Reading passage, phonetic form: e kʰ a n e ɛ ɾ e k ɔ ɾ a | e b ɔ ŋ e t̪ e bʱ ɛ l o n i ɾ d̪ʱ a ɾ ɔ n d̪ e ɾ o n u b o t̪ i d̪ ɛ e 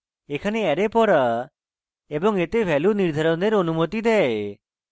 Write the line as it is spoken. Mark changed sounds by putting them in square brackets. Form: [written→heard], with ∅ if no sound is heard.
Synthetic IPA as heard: e kʰ a n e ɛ ɾ e [k→p] ɔ ɾ a | e b ɔ ŋ e t̪ e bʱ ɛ l [o→u] n i ɾ d̪ʱ a ɾ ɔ n d̪ e ɾ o n u [b→m] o t̪ i d̪ ɛ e